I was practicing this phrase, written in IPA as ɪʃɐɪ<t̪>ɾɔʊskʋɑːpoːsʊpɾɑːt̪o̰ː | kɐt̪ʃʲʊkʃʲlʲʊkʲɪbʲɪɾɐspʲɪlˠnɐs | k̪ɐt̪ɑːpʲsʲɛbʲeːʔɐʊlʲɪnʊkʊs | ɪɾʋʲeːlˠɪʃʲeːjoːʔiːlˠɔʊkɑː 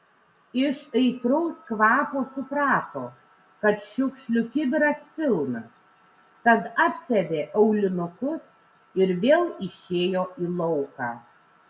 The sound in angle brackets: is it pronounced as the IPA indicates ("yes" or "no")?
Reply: yes